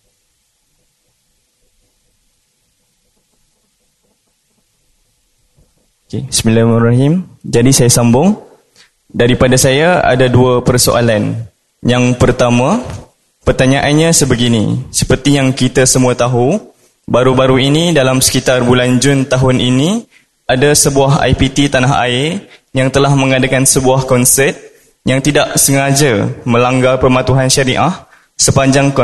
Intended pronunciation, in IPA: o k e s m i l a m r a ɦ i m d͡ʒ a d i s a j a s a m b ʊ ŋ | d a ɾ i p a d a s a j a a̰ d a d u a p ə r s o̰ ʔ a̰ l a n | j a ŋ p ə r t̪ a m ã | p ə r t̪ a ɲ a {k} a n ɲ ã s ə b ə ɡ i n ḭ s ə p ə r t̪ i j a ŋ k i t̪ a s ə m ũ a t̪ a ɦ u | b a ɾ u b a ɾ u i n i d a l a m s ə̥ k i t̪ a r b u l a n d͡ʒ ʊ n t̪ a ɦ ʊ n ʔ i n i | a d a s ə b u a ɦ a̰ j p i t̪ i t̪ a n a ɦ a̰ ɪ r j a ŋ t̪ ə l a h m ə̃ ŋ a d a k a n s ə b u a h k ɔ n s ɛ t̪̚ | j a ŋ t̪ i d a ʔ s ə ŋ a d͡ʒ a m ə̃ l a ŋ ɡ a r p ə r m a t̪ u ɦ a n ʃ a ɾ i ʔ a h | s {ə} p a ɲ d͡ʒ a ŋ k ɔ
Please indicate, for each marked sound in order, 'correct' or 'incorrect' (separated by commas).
incorrect, correct